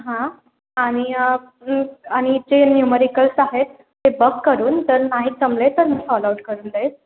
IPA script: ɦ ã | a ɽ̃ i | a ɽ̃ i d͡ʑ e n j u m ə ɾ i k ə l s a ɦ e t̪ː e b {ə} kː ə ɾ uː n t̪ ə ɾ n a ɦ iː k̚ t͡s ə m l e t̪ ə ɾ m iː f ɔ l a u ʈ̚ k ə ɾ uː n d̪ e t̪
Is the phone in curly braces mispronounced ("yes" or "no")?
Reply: no